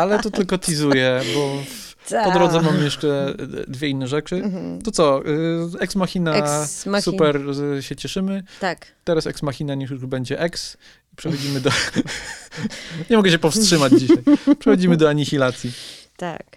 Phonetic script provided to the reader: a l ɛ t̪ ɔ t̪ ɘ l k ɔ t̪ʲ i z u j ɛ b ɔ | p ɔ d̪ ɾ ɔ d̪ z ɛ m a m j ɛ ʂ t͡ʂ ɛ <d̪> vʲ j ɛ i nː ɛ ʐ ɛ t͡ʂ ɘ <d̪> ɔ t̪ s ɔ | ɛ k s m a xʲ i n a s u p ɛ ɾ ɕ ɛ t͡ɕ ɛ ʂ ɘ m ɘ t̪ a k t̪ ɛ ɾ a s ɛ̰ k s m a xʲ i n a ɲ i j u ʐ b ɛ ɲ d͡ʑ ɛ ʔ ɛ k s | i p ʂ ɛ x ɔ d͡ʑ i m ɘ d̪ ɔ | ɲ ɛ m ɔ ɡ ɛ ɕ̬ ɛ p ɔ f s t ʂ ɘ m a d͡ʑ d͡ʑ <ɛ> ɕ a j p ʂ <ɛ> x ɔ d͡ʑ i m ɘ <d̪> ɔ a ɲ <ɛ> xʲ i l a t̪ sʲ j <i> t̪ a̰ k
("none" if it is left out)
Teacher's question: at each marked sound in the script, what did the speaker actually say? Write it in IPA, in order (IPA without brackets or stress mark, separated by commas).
d̪, t̪, i, ɛ, d̪, i, i